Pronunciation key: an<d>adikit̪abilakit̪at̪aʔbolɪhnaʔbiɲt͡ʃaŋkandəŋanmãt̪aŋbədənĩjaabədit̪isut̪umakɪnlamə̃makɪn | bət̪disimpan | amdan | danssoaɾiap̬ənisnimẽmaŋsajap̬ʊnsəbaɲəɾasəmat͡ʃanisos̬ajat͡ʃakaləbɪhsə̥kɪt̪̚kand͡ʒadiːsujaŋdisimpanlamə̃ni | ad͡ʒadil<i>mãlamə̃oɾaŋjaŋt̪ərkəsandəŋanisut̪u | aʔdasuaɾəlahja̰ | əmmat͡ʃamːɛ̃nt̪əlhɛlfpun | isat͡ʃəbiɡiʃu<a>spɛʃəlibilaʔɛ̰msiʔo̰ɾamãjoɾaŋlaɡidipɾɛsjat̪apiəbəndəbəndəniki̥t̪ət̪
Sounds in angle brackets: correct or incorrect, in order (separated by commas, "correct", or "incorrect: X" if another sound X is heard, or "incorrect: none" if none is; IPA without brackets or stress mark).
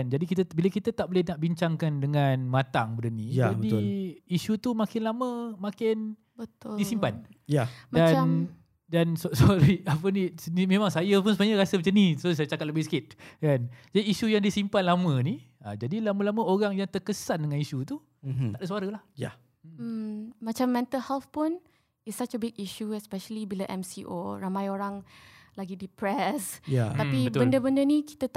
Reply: incorrect: d͡ʒ, incorrect: a, incorrect: ɛ